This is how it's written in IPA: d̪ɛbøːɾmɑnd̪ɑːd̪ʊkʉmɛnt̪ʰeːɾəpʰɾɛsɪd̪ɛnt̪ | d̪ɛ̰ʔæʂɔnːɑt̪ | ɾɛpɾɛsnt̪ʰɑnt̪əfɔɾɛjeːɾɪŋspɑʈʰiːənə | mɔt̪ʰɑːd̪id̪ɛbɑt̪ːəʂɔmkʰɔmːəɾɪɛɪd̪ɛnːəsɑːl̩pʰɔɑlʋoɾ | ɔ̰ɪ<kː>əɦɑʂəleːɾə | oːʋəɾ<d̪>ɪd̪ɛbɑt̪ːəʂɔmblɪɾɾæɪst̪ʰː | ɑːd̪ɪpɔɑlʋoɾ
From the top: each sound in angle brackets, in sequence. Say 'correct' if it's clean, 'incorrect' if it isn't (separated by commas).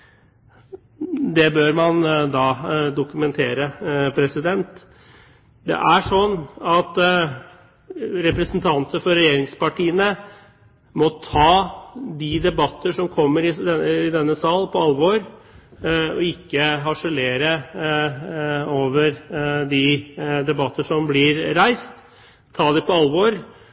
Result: correct, correct